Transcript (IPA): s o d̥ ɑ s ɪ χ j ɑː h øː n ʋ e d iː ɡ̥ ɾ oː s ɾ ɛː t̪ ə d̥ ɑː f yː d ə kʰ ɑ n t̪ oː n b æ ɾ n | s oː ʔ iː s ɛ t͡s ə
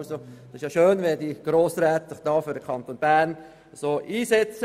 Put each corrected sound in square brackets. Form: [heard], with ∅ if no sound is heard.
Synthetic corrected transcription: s o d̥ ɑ s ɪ [ʃ] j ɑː [ʃ] øː n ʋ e d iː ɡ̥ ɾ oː s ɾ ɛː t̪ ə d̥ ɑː f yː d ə kʰ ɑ n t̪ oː n b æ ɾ n | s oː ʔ iː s ɛ t͡s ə